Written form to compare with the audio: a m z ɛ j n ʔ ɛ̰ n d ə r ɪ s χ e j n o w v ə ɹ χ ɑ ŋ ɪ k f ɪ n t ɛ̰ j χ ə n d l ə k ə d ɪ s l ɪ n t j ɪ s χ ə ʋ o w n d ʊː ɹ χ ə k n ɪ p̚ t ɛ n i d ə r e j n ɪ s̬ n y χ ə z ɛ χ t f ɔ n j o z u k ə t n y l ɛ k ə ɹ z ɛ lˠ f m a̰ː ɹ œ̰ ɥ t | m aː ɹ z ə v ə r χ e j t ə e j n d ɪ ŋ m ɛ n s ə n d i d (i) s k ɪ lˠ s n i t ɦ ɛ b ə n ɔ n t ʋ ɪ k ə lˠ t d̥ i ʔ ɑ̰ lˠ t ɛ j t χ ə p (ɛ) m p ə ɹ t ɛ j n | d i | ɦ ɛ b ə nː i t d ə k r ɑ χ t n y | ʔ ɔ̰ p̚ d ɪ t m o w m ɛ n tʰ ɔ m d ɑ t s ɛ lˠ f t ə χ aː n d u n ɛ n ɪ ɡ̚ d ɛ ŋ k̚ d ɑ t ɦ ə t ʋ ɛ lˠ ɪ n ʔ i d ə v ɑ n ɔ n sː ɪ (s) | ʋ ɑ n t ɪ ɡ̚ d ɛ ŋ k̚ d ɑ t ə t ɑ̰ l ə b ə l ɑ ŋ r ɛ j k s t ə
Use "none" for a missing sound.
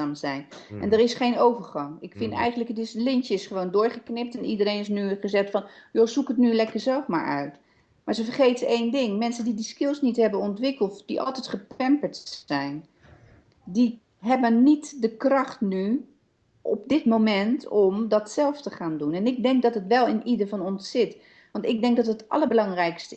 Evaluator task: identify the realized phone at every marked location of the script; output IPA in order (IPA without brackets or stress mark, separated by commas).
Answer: i, ɛ, t